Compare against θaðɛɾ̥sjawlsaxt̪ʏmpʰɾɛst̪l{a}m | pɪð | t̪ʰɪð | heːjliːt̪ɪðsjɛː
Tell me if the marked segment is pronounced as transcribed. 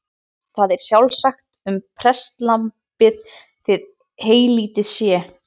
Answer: yes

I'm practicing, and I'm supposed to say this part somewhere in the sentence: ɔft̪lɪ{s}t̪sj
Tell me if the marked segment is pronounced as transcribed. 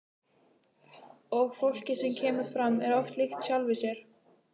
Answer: no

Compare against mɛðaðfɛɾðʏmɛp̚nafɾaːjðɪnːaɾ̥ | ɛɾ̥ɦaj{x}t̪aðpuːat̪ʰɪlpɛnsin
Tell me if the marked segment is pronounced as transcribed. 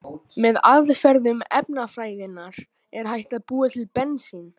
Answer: no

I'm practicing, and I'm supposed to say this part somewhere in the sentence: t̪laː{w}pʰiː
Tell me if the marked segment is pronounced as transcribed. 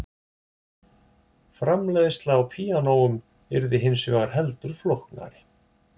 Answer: yes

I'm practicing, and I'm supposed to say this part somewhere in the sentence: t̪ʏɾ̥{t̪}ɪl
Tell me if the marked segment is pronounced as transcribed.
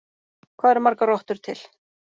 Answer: no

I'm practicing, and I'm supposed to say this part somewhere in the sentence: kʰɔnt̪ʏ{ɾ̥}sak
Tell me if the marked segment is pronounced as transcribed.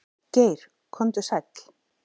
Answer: no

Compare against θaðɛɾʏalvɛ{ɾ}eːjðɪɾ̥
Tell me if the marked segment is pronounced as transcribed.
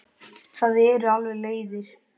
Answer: no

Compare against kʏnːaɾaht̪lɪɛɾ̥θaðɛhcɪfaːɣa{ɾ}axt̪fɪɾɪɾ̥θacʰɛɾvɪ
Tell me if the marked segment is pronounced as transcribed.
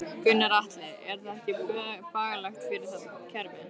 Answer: no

